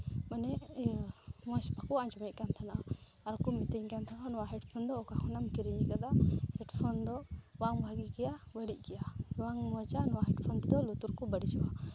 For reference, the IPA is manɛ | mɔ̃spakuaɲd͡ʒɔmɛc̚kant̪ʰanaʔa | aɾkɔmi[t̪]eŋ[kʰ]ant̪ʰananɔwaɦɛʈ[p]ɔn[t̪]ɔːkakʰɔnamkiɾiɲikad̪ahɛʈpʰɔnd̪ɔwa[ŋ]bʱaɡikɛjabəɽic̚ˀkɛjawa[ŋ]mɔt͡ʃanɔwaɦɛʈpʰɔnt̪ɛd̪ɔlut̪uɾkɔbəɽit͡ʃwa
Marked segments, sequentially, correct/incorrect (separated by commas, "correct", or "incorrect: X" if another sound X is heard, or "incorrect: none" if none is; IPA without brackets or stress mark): correct, incorrect: k, incorrect: pʰ, incorrect: d̪, correct, correct